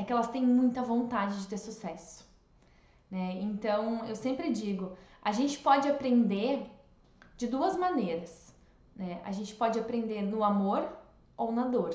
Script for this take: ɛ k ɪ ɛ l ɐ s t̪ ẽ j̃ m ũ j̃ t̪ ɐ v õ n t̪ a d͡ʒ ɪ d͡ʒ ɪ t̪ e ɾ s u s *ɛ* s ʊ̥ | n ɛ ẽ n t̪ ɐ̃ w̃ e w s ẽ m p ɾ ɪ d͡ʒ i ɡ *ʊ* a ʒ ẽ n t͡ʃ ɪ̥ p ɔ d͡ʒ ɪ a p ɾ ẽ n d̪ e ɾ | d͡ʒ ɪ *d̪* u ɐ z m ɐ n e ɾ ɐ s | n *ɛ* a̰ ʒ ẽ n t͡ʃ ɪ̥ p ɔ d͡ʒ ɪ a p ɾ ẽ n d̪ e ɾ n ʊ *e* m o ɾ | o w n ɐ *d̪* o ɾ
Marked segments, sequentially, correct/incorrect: correct, correct, correct, correct, incorrect, correct

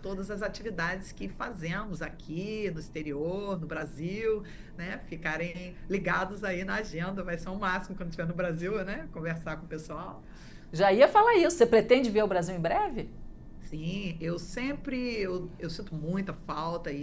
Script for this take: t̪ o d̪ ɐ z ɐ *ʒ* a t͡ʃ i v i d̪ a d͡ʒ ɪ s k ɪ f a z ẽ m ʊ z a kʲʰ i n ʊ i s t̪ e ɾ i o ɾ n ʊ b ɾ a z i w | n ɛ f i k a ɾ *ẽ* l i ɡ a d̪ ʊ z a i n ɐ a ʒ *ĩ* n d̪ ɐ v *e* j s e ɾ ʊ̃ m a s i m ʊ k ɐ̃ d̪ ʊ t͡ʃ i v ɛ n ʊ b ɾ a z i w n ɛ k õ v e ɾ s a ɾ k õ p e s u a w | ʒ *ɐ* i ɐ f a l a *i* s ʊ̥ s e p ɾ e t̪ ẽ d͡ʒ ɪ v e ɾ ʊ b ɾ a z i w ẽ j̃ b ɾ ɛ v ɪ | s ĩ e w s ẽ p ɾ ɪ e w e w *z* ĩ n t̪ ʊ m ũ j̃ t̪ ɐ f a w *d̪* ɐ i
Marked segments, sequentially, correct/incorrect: incorrect, correct, incorrect, incorrect, incorrect, correct, incorrect, incorrect

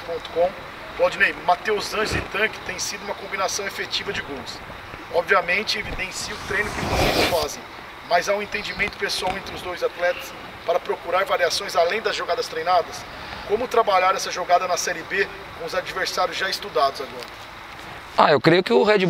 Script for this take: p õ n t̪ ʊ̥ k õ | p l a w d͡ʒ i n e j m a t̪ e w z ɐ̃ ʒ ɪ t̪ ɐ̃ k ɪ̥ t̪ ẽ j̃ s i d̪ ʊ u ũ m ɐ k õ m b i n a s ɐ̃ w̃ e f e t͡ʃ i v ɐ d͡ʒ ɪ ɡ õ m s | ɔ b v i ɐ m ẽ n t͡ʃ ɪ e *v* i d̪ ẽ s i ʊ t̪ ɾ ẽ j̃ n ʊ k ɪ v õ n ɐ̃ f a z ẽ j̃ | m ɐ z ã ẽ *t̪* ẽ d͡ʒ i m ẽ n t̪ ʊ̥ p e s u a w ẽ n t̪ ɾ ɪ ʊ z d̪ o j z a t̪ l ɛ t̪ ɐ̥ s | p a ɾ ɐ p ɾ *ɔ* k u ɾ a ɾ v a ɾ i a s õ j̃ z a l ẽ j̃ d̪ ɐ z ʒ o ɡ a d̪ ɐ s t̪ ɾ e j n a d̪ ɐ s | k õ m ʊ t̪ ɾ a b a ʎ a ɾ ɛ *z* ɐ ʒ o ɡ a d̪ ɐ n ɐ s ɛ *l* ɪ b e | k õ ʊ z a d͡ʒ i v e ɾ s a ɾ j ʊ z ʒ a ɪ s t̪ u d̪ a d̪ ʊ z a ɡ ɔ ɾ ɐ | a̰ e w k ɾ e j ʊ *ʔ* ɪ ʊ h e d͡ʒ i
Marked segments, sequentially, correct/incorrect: correct, correct, incorrect, incorrect, incorrect, incorrect

